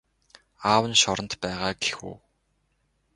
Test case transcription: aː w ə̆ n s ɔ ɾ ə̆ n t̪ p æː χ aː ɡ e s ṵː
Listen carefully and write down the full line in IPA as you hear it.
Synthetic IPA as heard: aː w ə̆ n ʃ ɔ ɾ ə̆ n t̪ p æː ʁ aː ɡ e x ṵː

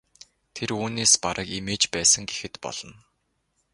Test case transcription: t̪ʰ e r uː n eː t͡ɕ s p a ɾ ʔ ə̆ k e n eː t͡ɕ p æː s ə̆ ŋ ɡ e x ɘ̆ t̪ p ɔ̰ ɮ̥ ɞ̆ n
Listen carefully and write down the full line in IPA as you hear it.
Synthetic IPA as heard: t̪ʰ e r uː n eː s p a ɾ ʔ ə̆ k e m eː t͡ɕ p æː s ə̆ ŋ ɡ e x ɘ̆ t̪ p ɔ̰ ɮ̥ ɞ̆ n

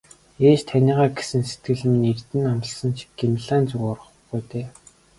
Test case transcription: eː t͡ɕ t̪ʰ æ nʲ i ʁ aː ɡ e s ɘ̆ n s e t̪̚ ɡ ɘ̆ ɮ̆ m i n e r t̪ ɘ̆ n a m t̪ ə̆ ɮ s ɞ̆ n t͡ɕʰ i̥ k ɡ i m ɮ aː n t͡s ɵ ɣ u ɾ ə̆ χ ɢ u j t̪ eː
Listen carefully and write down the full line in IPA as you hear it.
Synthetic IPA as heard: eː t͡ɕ t̪ʰ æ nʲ iː ʁ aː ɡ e s ɘ̆ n s e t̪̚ ɡ ɘ̆ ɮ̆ m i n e r t̪ ɘ̆ n a m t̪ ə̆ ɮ s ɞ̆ n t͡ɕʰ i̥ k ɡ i m ɮ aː n t͡s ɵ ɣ ɔ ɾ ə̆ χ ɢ u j t̪ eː

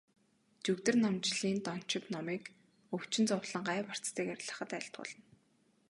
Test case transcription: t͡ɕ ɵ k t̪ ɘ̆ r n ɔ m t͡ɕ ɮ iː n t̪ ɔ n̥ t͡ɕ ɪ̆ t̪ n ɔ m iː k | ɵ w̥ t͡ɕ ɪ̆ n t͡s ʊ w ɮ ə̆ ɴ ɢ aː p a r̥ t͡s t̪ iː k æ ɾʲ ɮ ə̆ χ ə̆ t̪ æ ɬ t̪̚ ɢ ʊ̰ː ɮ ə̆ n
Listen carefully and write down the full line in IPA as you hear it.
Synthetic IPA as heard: t͡ɕ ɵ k t̪ ɘ̆ r n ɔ m t͡ɕ ɮ iː n t̪ ɔ n̥ t͡ɕ ɪ̆ t̪ n ɔ m iː k | ɵ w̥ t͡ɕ ɪ̆ n t͡s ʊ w ɮ ə̆ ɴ ɢ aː p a r̥ t͡s t̪ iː k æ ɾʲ ɮ ə̆ χ ə̆ t̪ æ ɬ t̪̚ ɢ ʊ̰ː ɮ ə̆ n

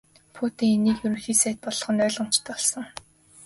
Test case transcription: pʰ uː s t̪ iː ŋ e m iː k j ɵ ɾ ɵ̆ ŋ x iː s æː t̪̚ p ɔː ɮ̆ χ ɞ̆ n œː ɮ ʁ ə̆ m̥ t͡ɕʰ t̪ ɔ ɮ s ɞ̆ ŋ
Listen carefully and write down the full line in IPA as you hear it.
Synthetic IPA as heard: pʰ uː t̪ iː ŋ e n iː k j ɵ ɾ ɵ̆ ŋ x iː s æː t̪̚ p ɔ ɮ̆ χ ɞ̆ n œː ɮ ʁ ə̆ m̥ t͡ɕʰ t̪ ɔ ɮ s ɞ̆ ŋ

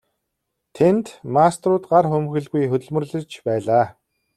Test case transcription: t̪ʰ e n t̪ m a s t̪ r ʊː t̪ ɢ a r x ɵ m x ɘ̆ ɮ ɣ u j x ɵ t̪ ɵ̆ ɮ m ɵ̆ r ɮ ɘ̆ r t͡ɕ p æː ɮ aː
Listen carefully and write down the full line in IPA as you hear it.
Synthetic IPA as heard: t̪ʰ e n t̪ m a s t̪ r ʊː t̪ ɢ a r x ɵ m x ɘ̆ ɮ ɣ u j x ɵ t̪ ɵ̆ ɮ m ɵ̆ r ɮ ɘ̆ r t͡ɕ p æː ɮ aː

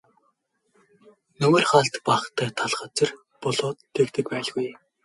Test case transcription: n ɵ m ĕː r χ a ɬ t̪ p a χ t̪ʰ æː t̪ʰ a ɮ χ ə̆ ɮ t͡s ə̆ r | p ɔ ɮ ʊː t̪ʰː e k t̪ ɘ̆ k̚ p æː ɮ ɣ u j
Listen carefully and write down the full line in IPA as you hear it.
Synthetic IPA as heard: n ɵ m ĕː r χ a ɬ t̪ p a χ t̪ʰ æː t̪ʰ a ɮ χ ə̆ t͡s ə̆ r | p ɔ ɮ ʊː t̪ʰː e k t̪ ɘ̆ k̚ p æː ɮ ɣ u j

